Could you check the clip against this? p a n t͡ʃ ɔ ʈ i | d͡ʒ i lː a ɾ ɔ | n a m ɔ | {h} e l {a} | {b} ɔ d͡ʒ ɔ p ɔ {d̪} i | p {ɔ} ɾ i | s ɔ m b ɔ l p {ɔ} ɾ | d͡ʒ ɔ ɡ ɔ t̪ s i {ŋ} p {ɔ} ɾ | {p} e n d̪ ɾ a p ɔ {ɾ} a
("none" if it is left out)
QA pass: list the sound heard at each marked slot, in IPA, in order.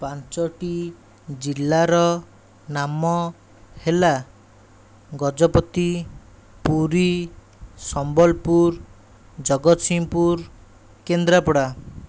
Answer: h, a, ɡ, t̪, u, u, m, u, k, ɽ

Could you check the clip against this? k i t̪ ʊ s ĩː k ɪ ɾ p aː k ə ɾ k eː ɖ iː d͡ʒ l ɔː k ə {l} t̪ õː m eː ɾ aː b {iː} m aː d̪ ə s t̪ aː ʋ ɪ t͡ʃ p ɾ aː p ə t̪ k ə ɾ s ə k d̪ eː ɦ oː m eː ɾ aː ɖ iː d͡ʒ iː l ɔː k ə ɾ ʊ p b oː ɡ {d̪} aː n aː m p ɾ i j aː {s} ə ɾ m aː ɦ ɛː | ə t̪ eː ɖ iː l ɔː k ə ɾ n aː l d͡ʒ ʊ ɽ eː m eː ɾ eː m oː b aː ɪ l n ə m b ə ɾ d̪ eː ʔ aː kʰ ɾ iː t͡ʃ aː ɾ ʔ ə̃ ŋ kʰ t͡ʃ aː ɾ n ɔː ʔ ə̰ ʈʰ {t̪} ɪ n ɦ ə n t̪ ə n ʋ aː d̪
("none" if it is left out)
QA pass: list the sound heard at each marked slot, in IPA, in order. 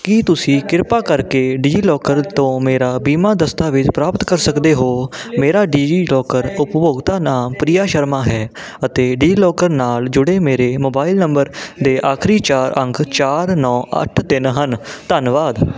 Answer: ɾ, iː, t̪, ʃ, t̪

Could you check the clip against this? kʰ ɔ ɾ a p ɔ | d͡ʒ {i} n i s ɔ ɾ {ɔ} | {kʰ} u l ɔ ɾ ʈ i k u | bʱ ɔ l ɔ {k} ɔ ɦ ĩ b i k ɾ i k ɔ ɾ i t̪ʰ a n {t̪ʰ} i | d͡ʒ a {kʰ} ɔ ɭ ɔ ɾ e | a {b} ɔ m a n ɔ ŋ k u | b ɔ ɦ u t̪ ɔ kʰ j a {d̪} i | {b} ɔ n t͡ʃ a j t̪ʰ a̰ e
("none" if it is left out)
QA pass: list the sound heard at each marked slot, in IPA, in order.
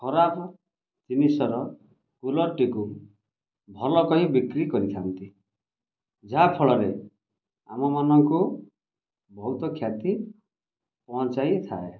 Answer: i, ɔ, k, k, t̪, pʰ, m, t̪, p

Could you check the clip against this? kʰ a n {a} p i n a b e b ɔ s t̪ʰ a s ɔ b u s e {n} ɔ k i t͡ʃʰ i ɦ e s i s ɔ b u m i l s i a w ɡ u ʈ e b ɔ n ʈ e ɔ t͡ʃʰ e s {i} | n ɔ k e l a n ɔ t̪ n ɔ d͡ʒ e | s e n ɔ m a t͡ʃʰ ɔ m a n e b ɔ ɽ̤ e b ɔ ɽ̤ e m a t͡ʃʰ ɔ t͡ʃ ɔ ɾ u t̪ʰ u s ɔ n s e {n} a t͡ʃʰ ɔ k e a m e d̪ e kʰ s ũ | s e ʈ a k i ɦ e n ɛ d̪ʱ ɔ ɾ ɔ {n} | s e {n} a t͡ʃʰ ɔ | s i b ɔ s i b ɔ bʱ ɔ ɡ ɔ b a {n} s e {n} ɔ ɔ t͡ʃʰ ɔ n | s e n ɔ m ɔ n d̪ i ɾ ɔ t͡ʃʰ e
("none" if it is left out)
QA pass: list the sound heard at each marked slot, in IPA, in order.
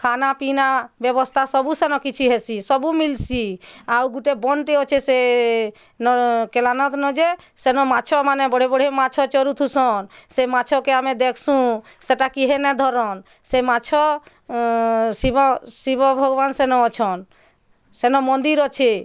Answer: a, n, e, m, n, m, n, n

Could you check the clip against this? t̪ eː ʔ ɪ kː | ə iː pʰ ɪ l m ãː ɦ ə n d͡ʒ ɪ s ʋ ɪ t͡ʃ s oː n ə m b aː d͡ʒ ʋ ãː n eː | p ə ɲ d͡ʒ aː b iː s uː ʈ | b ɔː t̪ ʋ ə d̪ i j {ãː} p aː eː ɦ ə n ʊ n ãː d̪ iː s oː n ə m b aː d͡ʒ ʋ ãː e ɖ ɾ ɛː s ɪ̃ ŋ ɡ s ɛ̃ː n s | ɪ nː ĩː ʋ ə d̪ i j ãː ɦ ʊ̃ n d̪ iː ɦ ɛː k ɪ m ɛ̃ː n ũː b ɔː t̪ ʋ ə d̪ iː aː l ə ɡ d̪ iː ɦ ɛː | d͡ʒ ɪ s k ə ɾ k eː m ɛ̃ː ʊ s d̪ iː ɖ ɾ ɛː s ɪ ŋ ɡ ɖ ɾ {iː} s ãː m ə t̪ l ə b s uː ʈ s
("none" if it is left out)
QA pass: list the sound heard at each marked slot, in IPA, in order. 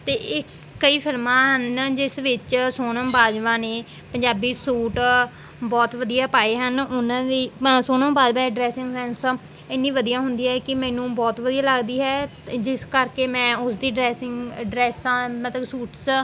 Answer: aː, ɛː

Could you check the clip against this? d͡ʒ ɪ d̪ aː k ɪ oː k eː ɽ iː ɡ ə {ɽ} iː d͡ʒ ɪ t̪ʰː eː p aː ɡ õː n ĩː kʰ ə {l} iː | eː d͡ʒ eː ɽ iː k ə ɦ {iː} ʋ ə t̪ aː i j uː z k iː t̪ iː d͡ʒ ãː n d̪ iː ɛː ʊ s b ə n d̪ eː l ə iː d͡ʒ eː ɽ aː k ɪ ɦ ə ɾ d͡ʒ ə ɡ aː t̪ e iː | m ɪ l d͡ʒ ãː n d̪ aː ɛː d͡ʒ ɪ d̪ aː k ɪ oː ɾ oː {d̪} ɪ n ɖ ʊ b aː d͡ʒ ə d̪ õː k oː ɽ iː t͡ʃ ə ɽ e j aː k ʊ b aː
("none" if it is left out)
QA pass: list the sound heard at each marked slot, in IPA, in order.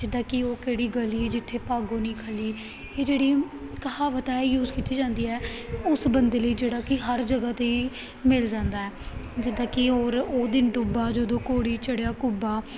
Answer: l, l, aː, d̪

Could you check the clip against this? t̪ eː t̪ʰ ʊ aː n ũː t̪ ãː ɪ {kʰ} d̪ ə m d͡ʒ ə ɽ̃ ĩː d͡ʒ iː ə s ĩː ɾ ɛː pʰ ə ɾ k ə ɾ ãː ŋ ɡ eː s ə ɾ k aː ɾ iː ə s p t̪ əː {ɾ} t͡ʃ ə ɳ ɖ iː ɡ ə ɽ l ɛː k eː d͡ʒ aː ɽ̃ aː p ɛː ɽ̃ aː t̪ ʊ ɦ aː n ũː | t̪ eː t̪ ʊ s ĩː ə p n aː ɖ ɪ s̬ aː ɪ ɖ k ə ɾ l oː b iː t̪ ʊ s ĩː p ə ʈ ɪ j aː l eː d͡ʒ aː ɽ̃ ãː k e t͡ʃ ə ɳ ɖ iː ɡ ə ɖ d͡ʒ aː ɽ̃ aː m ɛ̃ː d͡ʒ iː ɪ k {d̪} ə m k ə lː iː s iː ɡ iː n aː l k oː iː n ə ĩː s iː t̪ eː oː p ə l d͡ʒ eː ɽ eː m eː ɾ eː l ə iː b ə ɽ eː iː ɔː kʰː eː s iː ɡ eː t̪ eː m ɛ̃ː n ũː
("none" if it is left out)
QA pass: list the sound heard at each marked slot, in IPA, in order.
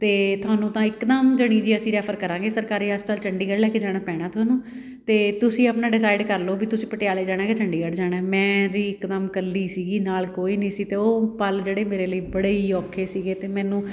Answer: k, l, d̪

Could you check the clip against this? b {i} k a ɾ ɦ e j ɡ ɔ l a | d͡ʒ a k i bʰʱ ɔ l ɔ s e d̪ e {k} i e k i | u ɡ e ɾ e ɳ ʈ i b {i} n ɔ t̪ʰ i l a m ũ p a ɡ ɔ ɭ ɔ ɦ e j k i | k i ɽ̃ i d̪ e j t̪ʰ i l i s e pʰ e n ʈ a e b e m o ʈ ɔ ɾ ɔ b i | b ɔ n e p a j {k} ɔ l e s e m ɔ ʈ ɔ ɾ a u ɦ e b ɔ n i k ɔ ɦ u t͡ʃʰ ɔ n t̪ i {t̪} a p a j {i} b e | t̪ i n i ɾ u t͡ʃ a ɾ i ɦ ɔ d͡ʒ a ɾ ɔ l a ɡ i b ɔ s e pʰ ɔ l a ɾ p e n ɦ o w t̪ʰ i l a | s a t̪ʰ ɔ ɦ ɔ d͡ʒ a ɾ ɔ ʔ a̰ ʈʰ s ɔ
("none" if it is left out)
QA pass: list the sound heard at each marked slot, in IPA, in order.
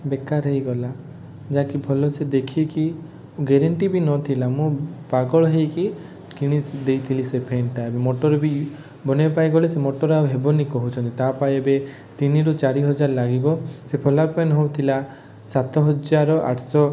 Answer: e, kʰ, i, ɡ, t̪, e

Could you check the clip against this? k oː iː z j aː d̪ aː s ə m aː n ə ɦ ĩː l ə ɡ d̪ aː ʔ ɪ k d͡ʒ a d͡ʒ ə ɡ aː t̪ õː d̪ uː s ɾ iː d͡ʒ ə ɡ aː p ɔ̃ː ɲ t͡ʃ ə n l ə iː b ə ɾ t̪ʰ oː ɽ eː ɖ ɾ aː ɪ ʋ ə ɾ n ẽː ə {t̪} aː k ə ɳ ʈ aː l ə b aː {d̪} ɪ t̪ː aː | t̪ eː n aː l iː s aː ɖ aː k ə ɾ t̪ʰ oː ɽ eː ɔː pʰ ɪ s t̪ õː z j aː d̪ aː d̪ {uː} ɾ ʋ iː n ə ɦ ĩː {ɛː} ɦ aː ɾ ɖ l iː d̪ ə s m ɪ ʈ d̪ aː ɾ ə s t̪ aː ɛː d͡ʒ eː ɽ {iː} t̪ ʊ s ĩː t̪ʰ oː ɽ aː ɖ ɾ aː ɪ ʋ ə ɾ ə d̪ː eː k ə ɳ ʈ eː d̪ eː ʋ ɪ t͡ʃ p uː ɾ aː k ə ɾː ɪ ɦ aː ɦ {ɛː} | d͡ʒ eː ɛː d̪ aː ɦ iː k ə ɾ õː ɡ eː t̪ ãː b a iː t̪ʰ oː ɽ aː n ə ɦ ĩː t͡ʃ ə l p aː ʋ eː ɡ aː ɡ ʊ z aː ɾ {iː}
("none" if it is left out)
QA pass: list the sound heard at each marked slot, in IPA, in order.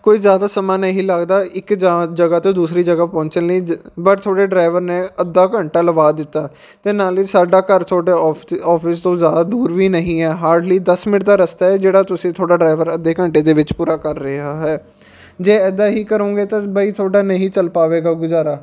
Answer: d̪, d̪, uː, ɛː, aː, ɛː, aː

